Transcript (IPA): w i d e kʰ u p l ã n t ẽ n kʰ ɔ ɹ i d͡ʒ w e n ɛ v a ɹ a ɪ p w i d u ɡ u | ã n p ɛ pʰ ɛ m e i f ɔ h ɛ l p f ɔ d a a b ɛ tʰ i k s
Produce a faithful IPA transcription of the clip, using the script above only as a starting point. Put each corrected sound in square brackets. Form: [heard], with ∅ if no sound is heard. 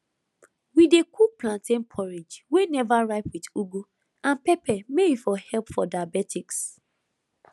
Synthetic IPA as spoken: w i d e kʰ u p l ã n t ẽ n [pʰ] ɔ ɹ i d͡ʒ w e n ɛ v a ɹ a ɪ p w i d u ɡ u | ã n p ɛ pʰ ɛ m e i f ɔ h ɛ l p f ɔ d a a b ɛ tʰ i k s